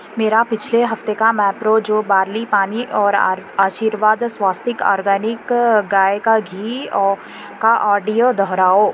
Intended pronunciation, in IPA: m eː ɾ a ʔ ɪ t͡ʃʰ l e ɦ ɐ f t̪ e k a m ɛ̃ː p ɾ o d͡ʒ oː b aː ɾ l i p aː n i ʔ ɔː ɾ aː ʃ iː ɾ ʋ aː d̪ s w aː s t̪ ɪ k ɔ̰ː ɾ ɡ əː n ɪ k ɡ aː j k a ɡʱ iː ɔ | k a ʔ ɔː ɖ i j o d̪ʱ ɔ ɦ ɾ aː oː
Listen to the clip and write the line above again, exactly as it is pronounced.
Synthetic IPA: m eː ɾ a p ɪ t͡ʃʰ l e ɦ ɐ f t̪ e k a m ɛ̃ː p ɾ o d͡ʒ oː b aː ɾ l i p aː n i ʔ ɔː ɾ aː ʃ iː ɾ ʋ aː d̪ s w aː s t̪ ɪ k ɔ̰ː ɾ ɡ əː n ɪ k ɡ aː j k a ɡʱ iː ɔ | k a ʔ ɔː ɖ i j o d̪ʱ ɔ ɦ ɾ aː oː